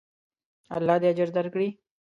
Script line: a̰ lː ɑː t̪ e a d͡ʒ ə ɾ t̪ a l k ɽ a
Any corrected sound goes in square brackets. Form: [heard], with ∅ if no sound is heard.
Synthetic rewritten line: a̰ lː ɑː [d̪] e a d͡ʒ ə ɾ [d̪] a [ɾ] k ɽ [i]

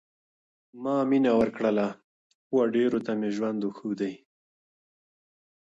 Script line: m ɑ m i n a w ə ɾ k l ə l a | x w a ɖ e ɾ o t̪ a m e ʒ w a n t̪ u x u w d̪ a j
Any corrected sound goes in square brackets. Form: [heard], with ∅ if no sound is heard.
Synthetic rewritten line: m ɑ m i n a w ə ɾ k [ɽ] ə l a | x w a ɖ e ɾ o t̪ a m e ʒ w a n [d̪] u x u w d̪ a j

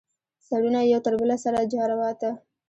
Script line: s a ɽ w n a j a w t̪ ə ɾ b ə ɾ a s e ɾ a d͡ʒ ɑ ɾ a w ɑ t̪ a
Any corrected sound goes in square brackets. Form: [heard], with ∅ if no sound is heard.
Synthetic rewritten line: s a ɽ [u] n a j a w t̪ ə ɾ b ə [l] a s [a] ɾ a d͡ʒ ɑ ɾ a w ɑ t̪ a

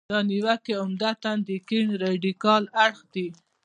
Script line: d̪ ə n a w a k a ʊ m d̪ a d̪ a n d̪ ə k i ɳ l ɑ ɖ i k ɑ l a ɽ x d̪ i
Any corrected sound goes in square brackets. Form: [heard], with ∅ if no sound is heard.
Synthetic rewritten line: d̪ [ɑ] n [i] w a k [e] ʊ m d̪ a [t̪] a n d̪ ə k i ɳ [ɾ] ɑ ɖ i k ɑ l a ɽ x d̪ i

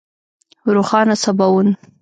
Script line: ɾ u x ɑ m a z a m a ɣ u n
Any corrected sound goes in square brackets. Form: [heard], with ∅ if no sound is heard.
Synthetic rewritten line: ɾ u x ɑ [n] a [s] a [b] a [w] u n

